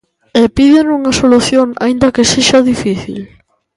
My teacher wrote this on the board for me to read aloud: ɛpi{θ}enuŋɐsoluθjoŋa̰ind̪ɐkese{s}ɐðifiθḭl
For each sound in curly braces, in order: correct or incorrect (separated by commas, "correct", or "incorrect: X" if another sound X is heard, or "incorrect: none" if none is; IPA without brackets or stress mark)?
incorrect: ð, incorrect: ʃ